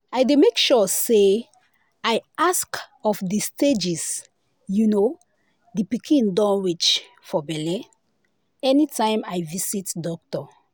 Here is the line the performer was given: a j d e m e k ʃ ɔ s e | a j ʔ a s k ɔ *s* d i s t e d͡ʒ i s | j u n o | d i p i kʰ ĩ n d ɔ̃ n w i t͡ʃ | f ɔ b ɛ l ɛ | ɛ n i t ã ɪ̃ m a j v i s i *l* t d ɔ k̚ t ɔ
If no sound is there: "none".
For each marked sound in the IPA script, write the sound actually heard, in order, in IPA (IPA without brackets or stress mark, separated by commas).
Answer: f, none